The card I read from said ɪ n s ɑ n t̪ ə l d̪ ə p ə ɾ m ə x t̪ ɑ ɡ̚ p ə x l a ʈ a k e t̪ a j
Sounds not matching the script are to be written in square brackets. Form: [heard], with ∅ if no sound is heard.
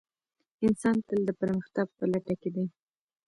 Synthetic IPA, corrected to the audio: ɪ n s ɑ n t̪ ə l d̪ ə p ə ɾ m ə x t̪ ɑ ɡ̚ p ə [∅] l a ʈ a k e [d̪] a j